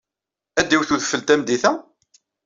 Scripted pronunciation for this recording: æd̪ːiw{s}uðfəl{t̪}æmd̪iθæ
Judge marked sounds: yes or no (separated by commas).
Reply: no, yes